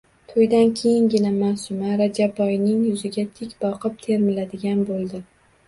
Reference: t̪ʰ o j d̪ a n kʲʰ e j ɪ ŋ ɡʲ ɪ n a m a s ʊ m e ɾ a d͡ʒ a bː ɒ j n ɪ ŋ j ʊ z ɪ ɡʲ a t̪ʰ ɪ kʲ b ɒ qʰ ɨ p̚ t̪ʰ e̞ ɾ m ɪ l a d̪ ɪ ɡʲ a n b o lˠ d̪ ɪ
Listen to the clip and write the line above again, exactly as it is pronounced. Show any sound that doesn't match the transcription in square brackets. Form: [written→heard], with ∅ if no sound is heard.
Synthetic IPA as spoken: t̪ʰ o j d̪ a n kʲʰ e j ɪ ŋ ɡʲ ɪ n a m a s ʊ m [e→a] ɾ a d͡ʒ a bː ɒ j n ɪ ŋ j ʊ z ɪ ɡʲ a t̪ʰ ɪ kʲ b ɒ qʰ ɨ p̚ t̪ʰ e̞ ɾ m ɪ l a d̪ ɪ ɡʲ a n b o lˠ d̪ ɪ